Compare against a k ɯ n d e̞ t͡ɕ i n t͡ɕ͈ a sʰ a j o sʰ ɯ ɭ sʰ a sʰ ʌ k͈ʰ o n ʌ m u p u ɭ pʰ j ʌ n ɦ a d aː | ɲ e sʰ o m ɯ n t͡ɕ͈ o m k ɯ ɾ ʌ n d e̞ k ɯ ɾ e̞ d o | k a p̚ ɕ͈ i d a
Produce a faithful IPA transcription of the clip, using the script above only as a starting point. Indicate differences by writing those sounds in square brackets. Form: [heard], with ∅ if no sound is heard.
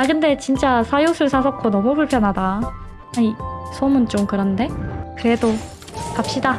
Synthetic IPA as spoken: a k ɯ n d e̞ t͡ɕ i n t͡ɕ͈ a sʰ a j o sʰ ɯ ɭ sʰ a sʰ ʌ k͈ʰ o n ʌ m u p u ɭ pʰ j ʌ n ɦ a d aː | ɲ [i] sʰ o m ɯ n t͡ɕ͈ o m k ɯ ɾ ʌ n d e̞ k ɯ ɾ e̞ d o | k a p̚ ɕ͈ i d a

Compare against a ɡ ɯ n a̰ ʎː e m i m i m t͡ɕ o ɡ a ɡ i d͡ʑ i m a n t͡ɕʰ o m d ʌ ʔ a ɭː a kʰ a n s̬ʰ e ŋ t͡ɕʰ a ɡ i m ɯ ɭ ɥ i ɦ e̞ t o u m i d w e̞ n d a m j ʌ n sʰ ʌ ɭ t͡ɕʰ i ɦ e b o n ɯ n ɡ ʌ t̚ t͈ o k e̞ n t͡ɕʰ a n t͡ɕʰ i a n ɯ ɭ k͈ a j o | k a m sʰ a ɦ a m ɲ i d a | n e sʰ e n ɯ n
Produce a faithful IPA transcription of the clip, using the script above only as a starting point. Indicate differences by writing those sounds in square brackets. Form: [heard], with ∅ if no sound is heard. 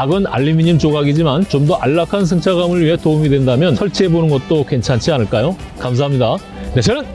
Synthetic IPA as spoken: a ɡ ɯ n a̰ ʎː [i] m i [ɲ] i m t͡ɕ o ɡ a ɡ i d͡ʑ i m a n [t͡ɕ] o m d ʌ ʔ a ɭː a kʰ a n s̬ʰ e ŋ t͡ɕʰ a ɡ [a] m ɯ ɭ ɥ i ɦ e̞ t o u m i d w e̞ n d a m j ʌ n sʰ ʌ ɭ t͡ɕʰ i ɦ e b o n ɯ n ɡ ʌ t̚ t͈ o k e̞ n t͡ɕʰ a n t͡ɕʰ i a n ɯ ɭ k͈ a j o | k a m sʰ a ɦ a m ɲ i d a | n e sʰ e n ɯ n

